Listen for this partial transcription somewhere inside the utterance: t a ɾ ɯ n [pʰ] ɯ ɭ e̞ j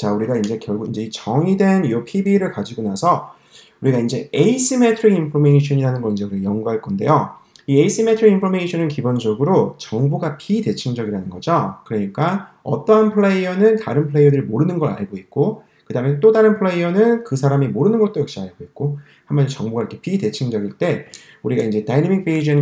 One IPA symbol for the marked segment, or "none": pʰ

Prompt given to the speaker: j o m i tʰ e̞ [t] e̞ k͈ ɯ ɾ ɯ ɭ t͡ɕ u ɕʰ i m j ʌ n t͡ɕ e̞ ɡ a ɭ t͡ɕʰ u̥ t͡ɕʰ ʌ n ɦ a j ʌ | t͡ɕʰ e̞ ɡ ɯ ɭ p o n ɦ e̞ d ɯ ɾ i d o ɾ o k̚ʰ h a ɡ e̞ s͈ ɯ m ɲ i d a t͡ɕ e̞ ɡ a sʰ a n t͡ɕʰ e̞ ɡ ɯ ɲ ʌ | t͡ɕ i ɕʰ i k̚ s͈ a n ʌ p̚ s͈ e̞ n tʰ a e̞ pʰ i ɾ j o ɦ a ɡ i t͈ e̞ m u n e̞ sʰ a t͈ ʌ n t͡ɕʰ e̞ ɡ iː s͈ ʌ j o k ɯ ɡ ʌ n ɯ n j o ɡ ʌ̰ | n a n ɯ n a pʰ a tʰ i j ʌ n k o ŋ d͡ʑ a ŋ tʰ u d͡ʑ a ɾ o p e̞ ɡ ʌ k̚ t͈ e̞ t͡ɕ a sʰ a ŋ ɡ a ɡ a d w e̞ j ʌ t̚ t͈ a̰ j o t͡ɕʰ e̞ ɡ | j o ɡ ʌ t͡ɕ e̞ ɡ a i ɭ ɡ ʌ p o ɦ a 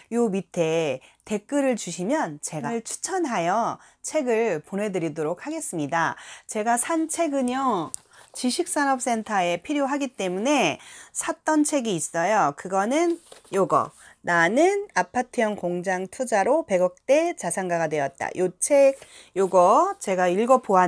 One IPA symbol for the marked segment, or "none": t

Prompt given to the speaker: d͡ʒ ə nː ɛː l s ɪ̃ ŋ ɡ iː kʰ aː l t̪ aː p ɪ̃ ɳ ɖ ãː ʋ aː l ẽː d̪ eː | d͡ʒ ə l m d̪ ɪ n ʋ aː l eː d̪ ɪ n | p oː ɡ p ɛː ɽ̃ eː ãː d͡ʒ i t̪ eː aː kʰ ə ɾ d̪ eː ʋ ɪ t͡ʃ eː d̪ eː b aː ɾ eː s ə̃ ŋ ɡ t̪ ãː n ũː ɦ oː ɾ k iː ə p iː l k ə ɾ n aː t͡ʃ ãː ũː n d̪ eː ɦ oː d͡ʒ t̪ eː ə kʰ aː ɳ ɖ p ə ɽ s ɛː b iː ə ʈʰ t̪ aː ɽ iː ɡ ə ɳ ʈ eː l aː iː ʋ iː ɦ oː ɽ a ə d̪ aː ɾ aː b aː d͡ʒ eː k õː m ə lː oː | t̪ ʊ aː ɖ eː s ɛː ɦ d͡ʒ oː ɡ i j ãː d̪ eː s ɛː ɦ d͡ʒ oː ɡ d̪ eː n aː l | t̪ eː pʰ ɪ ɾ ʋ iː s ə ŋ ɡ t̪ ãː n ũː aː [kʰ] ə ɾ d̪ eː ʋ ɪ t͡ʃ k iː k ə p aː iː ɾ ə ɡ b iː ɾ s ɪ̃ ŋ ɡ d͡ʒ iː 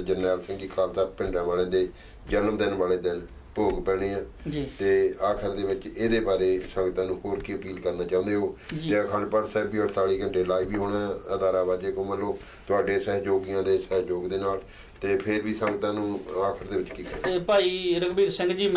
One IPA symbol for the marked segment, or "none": kʰ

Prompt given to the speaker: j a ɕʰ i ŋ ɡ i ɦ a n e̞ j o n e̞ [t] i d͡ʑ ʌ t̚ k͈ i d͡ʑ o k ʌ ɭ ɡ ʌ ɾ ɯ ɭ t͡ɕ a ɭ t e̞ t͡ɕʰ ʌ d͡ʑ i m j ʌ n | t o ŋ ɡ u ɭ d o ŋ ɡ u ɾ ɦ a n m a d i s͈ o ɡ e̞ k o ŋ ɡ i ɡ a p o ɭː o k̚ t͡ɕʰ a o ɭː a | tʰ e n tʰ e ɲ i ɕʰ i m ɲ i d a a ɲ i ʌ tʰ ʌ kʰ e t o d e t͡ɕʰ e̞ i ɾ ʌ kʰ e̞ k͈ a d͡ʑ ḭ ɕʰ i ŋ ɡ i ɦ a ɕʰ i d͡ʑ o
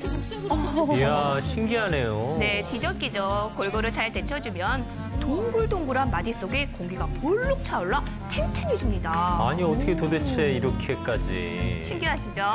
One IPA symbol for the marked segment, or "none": t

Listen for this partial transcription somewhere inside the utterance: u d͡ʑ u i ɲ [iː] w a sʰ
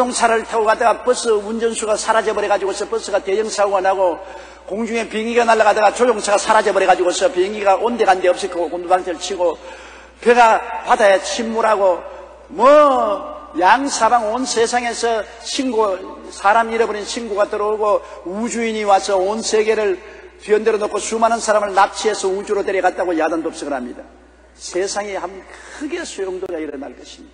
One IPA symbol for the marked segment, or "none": i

